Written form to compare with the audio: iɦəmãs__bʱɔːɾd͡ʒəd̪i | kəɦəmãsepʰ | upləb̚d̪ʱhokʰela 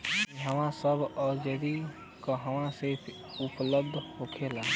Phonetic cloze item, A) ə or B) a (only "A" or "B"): A